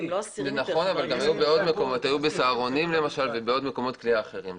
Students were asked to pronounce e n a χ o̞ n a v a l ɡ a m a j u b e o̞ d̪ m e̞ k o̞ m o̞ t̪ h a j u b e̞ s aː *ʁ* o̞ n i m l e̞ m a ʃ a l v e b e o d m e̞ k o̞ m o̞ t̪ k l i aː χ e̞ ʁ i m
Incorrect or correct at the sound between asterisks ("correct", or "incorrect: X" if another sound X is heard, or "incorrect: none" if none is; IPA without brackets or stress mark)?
correct